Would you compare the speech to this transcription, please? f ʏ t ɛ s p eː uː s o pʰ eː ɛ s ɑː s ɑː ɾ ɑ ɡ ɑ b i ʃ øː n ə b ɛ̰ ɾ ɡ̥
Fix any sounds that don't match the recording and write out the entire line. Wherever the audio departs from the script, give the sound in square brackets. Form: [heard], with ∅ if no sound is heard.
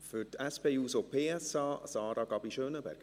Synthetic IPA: f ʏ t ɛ s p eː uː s o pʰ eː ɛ s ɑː s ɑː ɾ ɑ ɡ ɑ b i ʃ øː n ə b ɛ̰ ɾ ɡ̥